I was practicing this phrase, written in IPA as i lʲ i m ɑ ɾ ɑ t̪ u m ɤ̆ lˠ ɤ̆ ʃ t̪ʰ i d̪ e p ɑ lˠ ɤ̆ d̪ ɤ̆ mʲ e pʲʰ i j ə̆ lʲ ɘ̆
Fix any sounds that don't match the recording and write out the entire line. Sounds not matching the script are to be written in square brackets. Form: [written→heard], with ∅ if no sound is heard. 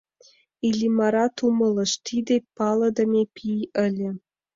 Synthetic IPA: i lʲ i m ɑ ɾ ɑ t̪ u m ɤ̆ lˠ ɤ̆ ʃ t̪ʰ i d̪ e p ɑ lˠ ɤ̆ d̪ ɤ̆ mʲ e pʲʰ i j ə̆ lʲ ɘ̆

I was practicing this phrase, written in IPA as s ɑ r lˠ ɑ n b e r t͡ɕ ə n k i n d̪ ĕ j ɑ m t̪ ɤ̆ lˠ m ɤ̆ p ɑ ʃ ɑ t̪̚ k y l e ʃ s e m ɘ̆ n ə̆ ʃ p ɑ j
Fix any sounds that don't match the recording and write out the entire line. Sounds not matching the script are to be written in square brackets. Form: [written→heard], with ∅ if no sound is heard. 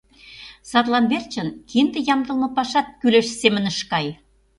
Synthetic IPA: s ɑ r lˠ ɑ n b e r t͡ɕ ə n k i n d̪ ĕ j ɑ m [t̪→d̪] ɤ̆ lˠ m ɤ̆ p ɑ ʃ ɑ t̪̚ k y l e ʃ s e m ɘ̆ n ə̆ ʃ [p→k] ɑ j

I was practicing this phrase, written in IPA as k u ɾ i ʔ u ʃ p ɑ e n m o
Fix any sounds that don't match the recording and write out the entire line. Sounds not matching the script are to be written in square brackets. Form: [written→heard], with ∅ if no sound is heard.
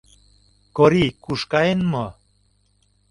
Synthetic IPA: k [u→o] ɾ i [ʔ→k] u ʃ [p→k] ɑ e n m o

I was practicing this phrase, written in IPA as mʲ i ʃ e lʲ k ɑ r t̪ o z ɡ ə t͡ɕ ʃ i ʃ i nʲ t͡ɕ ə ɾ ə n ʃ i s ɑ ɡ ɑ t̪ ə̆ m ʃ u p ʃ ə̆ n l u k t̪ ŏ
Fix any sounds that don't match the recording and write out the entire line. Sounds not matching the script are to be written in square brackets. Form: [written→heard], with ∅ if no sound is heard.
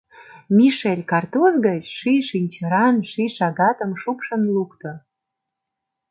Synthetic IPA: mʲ i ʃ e lʲ k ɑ r t̪ o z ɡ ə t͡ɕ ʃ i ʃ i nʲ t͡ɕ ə ɾ [ə→ɑ] n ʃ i [s→ʃ] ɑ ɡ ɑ t̪ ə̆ m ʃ u p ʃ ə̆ n l u k t̪ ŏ

